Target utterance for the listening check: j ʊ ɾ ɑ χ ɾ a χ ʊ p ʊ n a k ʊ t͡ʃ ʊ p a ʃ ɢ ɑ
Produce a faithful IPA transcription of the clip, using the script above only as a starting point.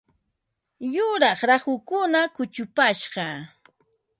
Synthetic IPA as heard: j ʊ ɾ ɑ χ ɾ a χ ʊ k ʊ n a k ʊ t͡ʃ ʊ p a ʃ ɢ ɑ